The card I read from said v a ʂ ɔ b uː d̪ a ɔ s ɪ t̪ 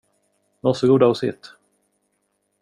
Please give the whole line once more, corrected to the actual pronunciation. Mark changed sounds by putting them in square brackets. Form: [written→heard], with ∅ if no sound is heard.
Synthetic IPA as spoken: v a [ʂ→s] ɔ [b→ɡ] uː d̪ a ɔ s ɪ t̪